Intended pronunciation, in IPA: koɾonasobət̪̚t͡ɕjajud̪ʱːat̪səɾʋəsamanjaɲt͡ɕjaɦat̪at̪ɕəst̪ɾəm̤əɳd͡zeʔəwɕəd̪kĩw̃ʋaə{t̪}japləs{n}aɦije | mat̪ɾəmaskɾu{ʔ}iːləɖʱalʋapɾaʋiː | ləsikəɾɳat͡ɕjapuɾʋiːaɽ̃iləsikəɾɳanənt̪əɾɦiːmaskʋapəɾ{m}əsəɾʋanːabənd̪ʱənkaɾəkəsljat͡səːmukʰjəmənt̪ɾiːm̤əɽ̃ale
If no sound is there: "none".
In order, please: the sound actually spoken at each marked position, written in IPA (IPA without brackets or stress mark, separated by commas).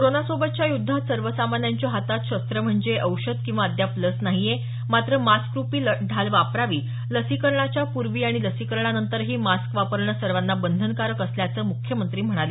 d̪, n, p, ɳ